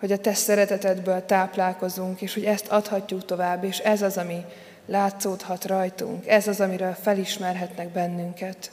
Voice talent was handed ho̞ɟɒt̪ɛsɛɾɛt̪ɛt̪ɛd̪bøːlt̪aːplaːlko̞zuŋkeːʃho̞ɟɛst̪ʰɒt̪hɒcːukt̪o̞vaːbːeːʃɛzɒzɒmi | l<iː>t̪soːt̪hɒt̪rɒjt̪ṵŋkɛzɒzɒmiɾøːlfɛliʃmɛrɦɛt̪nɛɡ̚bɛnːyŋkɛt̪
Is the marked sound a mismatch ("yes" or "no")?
yes